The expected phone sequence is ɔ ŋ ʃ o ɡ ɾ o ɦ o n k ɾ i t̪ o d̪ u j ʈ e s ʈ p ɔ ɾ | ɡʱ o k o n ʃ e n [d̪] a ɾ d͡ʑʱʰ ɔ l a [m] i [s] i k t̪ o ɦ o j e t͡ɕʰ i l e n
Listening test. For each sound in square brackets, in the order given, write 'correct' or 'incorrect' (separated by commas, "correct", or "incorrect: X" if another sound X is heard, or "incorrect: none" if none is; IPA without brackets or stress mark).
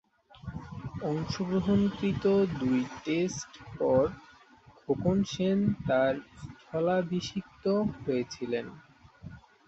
incorrect: t̪, incorrect: b, incorrect: ʃ